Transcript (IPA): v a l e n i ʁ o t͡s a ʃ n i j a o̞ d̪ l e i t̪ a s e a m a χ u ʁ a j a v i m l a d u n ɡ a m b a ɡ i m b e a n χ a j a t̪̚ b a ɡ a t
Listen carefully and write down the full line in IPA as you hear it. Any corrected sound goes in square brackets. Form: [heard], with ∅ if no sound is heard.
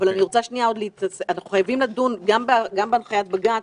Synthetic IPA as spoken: v a l [a] n i ʁ o t͡s a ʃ n i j a o̞ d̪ l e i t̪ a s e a [n] a χ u [χ] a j a v i m l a d u n ɡ a m b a ɡ [a] m b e a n χ a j a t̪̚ b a ɡ a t